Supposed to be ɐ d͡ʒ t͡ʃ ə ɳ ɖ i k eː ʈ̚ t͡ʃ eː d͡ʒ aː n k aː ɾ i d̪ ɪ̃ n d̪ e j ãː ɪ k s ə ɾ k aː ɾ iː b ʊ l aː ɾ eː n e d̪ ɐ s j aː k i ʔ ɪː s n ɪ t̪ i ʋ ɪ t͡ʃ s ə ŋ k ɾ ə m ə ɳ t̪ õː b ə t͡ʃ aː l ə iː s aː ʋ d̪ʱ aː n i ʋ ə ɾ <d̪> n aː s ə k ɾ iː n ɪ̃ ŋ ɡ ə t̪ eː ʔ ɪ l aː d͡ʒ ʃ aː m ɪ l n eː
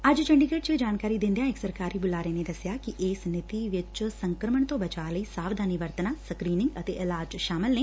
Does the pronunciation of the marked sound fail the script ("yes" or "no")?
yes